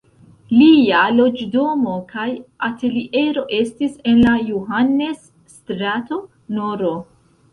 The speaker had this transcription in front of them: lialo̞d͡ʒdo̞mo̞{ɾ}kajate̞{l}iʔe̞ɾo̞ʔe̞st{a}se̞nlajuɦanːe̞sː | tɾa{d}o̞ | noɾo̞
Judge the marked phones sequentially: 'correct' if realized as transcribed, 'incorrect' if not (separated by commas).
incorrect, correct, incorrect, incorrect